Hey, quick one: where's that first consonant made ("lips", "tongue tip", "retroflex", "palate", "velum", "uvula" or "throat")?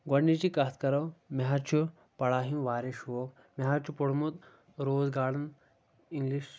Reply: velum